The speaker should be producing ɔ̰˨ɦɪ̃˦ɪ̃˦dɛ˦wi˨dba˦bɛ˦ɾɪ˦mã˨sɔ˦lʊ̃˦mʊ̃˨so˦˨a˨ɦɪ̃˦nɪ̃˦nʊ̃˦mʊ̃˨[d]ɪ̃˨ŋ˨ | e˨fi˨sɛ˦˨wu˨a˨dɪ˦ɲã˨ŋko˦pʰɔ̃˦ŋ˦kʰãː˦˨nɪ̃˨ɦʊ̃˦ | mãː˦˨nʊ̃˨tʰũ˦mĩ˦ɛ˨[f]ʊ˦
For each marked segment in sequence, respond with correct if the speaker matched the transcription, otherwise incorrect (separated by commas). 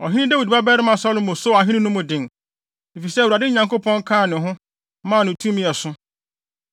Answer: correct, incorrect